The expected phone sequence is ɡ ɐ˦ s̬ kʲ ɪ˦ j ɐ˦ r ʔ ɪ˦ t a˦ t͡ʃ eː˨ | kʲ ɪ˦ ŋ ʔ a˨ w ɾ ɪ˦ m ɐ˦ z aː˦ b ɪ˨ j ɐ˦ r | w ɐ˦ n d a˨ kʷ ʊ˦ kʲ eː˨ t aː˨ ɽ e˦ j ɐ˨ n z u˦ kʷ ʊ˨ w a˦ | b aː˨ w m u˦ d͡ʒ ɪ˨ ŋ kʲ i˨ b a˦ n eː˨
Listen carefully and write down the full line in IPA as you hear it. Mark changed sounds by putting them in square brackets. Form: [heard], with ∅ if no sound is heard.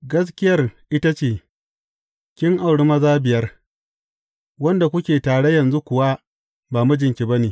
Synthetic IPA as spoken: ɡ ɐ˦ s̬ kʲ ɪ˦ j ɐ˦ r ʔ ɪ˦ t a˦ t͡ʃ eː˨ | kʲ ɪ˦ ŋ ʔ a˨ w [ɽ] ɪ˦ m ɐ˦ z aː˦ b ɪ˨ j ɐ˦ r | w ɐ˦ n d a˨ kʷ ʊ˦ kʲ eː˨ t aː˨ ɽ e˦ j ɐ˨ n z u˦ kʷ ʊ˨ w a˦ | b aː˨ [∅] m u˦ d͡ʒ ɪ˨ ŋ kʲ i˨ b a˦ n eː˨